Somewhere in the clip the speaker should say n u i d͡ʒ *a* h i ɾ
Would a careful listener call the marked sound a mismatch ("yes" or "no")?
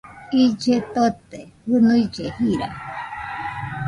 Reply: yes